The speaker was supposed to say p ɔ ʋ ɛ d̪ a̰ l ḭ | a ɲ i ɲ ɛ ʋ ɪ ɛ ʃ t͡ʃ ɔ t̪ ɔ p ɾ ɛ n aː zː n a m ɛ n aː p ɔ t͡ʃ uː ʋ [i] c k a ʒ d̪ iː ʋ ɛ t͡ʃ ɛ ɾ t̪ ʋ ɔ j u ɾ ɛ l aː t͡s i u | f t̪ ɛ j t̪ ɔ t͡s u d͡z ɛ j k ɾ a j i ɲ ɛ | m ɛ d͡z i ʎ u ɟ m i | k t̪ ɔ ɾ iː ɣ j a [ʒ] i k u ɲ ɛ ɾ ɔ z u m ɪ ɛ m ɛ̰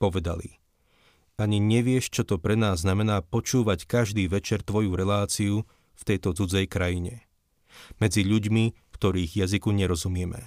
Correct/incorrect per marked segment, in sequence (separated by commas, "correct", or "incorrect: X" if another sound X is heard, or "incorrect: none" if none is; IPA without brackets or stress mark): incorrect: a, incorrect: z